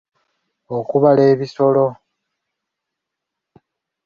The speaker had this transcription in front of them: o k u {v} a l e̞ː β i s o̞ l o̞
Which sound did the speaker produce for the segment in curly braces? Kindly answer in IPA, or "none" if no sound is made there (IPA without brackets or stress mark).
β